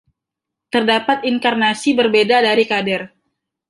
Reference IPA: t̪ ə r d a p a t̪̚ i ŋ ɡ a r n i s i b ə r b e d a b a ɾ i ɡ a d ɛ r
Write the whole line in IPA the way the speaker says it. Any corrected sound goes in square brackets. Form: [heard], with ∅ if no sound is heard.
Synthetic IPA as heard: t̪ ə r d a p a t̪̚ i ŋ [k] a r n [a] s i b ə r b e d a [d] a ɾ i [k] a d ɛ r